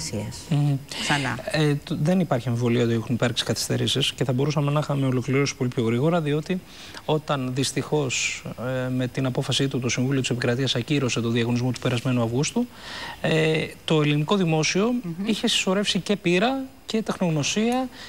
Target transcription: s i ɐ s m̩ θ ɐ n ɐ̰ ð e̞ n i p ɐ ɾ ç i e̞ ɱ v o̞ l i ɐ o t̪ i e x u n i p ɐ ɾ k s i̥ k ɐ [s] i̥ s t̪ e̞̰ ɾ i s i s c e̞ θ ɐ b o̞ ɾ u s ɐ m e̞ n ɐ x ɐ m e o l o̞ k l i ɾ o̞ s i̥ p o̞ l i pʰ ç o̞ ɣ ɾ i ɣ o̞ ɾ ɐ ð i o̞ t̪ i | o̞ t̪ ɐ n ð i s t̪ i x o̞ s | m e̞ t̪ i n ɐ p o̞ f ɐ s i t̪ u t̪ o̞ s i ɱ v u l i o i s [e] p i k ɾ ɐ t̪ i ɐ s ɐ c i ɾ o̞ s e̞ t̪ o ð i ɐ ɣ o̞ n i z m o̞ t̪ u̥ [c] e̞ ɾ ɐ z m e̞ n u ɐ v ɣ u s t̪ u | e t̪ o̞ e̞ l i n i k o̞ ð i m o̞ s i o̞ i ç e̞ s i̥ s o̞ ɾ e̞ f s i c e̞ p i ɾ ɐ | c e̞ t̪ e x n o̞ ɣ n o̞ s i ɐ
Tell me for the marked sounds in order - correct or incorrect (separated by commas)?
incorrect, correct, incorrect